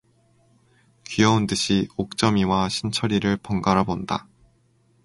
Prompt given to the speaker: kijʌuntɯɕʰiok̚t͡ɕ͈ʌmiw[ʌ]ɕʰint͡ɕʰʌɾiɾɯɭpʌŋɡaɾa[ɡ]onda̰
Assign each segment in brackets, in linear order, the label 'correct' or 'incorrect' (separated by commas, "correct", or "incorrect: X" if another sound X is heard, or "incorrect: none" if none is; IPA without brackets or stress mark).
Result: incorrect: a, incorrect: b